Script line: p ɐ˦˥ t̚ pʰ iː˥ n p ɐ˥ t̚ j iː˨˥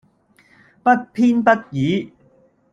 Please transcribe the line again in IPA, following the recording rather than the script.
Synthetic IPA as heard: p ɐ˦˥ t̚ pʰ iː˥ n p ɐ˥ t̚ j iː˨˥